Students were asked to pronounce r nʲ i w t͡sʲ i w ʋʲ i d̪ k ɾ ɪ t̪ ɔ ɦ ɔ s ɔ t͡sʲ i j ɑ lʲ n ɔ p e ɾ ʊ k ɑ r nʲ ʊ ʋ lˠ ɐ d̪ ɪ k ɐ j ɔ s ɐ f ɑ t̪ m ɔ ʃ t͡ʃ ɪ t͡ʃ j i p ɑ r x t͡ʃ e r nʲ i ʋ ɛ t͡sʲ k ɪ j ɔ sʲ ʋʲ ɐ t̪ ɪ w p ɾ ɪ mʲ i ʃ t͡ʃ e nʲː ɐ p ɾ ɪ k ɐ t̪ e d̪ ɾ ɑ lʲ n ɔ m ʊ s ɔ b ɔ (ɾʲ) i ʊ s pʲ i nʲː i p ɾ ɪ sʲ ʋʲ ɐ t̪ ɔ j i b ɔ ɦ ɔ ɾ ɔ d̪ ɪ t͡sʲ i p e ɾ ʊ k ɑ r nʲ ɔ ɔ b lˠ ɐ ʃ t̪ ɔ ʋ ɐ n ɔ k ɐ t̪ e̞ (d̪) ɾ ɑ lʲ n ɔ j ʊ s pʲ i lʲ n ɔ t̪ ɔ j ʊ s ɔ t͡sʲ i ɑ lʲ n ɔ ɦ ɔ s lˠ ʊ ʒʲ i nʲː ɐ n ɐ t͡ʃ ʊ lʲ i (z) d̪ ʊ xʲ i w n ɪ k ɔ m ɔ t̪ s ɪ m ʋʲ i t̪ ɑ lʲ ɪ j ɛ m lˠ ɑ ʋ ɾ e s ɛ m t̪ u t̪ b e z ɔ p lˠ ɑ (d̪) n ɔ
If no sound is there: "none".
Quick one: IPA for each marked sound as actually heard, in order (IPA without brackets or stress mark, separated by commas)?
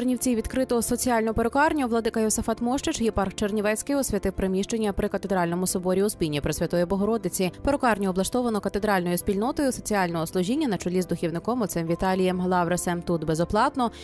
ɾʲ, d̪, z, t̪